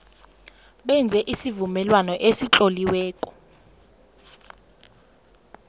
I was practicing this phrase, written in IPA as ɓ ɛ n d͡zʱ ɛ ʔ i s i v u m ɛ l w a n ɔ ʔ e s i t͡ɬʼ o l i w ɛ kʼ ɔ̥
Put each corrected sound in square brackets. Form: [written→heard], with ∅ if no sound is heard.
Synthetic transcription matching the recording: ɓ ɛ n d͡zʱ ɛ ʔ i s i v u m ɛ l w a n ɔ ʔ e s i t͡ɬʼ o l i w [ɛ→ɛː] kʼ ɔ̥